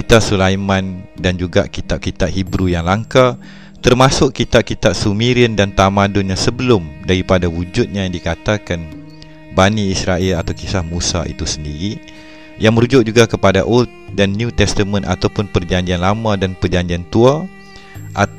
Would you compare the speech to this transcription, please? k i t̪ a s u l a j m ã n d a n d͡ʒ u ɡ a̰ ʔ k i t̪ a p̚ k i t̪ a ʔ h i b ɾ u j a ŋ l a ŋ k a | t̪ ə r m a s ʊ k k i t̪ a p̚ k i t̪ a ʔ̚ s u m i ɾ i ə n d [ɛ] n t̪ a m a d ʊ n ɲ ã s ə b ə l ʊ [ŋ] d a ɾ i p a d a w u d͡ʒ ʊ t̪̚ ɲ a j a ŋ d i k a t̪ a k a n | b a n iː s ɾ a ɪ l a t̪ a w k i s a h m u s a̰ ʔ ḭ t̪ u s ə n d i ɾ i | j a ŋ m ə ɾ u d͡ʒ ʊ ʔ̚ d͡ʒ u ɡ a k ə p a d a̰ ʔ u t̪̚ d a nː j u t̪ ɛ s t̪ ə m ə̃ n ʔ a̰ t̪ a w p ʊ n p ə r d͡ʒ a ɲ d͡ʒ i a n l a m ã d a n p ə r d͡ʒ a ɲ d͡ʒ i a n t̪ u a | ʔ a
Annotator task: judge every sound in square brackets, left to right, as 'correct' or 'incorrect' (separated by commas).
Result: incorrect, incorrect